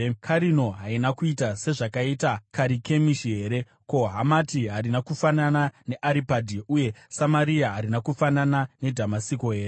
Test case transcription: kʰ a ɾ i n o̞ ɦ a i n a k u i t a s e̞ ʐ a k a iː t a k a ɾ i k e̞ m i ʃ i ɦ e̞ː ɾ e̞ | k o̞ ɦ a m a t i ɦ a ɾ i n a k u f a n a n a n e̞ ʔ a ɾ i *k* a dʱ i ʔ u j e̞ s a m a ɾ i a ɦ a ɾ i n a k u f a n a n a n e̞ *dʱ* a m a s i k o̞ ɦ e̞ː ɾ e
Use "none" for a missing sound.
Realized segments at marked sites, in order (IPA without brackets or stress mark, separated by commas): p, dʱ